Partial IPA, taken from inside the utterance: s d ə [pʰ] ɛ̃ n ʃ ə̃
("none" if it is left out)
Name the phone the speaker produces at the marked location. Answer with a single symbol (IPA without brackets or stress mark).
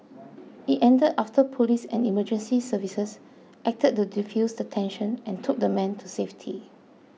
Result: tʰ